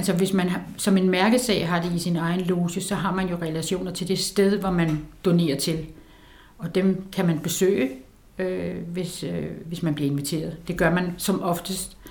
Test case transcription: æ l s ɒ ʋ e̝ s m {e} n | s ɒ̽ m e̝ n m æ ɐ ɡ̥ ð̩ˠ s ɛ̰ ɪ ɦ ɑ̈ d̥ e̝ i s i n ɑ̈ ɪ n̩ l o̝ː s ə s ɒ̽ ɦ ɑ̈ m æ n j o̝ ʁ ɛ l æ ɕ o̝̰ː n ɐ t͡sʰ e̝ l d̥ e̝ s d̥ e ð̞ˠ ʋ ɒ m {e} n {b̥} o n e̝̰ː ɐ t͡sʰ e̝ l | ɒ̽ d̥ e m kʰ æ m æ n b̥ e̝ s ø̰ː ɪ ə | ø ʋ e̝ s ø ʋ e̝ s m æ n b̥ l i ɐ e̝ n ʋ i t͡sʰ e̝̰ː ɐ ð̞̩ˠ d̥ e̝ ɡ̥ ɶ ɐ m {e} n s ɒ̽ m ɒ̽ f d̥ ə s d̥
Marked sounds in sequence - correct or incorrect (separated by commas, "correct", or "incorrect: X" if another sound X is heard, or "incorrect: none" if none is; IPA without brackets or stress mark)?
incorrect: æ, incorrect: æ, incorrect: d̥, incorrect: æ